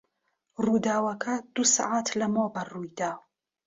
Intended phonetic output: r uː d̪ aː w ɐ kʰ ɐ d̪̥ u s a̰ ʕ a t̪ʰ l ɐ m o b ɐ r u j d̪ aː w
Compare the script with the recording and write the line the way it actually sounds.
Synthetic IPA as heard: r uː d̪ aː w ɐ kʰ ɐ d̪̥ u s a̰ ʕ a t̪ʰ l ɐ m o b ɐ r u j d̪ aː w